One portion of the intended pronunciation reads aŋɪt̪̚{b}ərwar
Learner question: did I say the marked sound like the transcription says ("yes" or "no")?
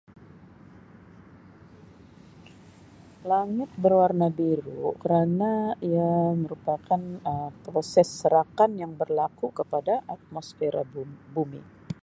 yes